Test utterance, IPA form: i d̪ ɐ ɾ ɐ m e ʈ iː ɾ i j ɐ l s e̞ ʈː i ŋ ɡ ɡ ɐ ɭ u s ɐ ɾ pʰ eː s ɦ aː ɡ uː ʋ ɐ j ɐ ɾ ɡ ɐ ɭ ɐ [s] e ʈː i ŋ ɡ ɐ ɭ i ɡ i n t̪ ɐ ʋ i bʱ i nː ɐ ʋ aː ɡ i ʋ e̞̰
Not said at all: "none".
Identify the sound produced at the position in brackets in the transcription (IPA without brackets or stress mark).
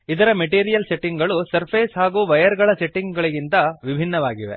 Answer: s